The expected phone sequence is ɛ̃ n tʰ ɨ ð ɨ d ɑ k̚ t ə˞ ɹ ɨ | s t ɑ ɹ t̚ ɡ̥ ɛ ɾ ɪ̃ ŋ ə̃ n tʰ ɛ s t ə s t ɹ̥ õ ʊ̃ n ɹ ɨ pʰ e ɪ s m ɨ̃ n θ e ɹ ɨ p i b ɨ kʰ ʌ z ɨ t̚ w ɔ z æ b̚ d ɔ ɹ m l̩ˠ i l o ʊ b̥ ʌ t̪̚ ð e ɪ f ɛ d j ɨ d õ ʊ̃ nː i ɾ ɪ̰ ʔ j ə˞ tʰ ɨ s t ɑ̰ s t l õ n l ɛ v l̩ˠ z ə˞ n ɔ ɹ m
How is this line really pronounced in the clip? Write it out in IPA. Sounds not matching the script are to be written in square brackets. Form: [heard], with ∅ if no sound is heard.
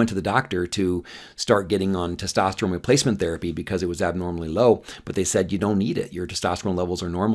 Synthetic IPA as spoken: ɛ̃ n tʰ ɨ ð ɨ d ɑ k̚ t ə˞ [ɾ] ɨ | s t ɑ ɹ t̚ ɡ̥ ɛ ɾ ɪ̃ ŋ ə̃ n tʰ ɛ s t [ɑ] s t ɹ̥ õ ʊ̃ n ɹ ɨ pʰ e ɪ s m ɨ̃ n θ [ɛ] ɹ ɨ p i b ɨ kʰ ʌ z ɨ t̚ w [ʌ] z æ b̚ [n] ɔ ɹ m l̩ˠ i l o ʊ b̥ ʌ t̪̚ ð e ɪ [s] ɛ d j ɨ d õ ʊ̃ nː i ɾ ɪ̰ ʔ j ə˞ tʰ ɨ s t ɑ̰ s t [ɹ] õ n l ɛ v l̩ˠ z ə˞ n ɔ ɹ m